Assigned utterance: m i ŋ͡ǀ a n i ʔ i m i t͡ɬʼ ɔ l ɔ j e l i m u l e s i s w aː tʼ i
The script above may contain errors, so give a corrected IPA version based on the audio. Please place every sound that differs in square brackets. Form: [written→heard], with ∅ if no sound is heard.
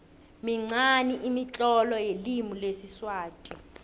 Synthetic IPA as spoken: m i ŋ͡ǀ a n i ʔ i m i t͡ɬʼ ɔ l ɔ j e l i m u l e s i s w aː tʼ i

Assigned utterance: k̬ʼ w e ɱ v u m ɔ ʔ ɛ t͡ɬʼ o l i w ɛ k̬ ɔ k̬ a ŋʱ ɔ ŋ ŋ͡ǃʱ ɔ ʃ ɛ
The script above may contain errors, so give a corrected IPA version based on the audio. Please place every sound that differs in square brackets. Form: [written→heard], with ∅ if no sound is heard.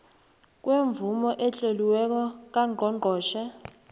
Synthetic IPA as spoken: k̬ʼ w e ɱ v u m ɔ ʔ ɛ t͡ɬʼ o l i w ɛ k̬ ɔ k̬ a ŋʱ ɔ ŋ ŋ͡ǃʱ [ɔ→ɔː] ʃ ɛ

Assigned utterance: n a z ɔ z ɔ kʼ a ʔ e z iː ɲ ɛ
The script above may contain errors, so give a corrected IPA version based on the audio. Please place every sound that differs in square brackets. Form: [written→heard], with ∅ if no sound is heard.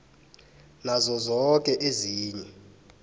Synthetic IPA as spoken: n a z ɔ z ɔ kʼ [a→ɛ] ʔ e z iː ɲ ɛ

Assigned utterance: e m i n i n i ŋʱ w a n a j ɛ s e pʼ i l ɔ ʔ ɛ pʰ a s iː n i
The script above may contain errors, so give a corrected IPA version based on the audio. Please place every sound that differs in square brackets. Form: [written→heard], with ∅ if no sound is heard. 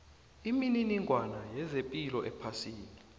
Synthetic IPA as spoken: [e→i] m i n i n i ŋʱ w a n a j ɛ [s→z] e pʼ i l ɔ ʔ ɛ pʰ a s iː n i

